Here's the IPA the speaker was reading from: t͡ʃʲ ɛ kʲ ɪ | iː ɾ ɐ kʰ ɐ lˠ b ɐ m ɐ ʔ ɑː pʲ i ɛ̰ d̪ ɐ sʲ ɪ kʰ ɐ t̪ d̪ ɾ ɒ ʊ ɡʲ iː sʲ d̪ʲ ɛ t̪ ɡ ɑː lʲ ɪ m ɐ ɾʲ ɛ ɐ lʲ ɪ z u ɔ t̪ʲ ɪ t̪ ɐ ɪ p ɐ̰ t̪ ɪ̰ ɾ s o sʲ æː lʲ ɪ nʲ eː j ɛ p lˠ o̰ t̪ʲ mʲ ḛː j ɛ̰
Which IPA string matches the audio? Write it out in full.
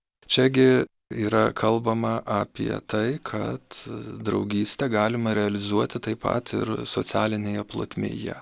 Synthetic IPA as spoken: t͡ʃʲ ɛ ɡʲ ɪ | iː ɾ ɐ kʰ ɐ lˠ b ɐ m ɐ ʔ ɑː pʲ i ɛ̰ t̪ ɐ ɪ kʰ ɐ t̪ d̪ ɾ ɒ ʊ ɡʲ iː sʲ t̪ʲ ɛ ɡ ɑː lʲ ɪ m ɐ ɾʲ ɛ ɐ lʲ ɪ z u ɔ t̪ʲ ɪ t̪ ɐ ɪ p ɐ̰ t̪ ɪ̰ ɾ s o sʲ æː lʲ ɪ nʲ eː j ɛ p lˠ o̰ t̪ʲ mʲ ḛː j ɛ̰